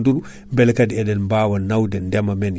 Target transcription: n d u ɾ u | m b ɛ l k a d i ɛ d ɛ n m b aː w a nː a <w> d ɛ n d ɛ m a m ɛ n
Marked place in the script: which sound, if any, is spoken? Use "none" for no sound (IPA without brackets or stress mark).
w